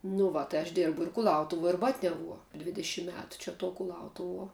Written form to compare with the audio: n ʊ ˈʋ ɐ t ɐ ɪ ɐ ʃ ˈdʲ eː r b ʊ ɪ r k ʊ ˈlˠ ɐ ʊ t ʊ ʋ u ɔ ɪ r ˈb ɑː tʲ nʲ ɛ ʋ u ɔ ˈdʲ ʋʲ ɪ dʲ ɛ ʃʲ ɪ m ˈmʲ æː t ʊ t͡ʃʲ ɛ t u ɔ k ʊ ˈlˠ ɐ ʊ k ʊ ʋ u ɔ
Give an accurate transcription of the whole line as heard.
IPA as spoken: n ʊ ˈʋ ɐ t ɐ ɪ ɐ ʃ ˈdʲ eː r b ʊ ɪ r k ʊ ˈlˠ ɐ ʊ t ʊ ʋ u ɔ ɪ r ˈb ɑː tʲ nʲ ɛ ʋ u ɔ ˈdʲ ʋʲ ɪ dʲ ɛ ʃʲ ɪ m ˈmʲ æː t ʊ t͡ʃʲ ɛ t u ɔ k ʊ ˈlˠ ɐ ʊ t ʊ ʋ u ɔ